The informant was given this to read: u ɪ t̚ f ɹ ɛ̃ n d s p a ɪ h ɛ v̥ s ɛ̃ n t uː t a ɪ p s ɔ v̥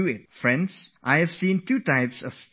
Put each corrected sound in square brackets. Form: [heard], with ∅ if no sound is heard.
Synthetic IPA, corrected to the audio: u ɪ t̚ f ɹ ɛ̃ n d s [ʔ] a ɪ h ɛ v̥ s [ĩ] n t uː t a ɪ p s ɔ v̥